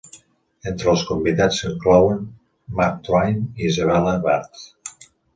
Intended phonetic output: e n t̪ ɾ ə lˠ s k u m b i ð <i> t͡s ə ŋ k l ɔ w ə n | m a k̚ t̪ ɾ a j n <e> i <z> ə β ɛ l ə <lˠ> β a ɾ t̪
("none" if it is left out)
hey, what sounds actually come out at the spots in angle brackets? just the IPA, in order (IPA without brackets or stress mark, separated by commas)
a, i, z, none